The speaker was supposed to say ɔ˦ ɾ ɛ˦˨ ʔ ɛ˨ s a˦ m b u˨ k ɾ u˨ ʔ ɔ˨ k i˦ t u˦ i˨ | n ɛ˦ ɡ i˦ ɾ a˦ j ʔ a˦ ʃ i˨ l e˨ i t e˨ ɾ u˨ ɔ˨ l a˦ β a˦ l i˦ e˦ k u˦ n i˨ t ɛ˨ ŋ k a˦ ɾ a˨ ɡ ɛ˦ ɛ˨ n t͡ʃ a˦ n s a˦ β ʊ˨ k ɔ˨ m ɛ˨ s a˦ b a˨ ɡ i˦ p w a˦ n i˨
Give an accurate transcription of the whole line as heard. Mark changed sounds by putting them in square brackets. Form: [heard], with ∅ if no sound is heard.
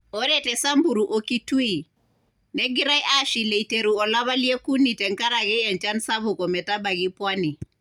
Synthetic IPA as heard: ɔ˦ ɾ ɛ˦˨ [t] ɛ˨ s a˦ m b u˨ [∅] ɾ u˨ ʔ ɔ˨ k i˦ t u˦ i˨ | n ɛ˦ ɡ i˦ ɾ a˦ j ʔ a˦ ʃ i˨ l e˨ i t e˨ ɾ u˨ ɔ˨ l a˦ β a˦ l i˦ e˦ k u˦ n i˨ t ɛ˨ ŋ k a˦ ɾ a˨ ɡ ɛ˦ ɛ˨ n t͡ʃ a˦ n s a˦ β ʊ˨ k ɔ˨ m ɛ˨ [t] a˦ b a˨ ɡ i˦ p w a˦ n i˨